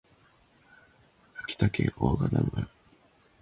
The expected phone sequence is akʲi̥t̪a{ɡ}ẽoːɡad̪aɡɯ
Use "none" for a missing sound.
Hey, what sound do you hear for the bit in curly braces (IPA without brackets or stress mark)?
k